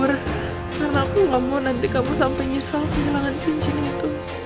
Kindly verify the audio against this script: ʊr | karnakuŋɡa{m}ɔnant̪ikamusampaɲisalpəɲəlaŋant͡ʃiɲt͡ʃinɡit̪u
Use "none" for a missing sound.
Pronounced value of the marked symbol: m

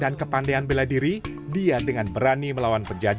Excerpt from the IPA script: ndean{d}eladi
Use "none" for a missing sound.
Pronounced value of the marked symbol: b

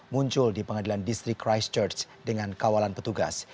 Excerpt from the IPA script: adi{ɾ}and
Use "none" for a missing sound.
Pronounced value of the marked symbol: l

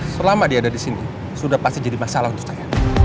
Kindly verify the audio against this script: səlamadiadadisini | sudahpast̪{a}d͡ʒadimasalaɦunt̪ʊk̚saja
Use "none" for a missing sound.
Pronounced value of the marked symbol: i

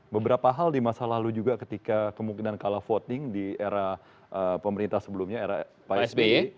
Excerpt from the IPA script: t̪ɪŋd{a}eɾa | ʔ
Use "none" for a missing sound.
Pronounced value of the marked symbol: i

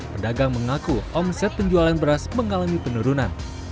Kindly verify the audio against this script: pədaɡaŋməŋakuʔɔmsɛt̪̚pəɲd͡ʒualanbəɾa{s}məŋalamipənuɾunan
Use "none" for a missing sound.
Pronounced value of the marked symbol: s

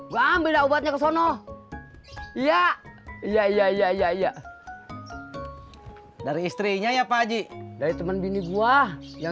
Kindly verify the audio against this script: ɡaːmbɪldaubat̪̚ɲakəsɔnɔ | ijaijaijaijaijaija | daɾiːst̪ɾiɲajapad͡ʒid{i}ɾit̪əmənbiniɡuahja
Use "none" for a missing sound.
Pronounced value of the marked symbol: a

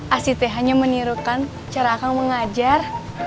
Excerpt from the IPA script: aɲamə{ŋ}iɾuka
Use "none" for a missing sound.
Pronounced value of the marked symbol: n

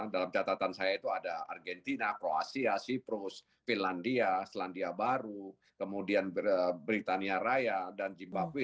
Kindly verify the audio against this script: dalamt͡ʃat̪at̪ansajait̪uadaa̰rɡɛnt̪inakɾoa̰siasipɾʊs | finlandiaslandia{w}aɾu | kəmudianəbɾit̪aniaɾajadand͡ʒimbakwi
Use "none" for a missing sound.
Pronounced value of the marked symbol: b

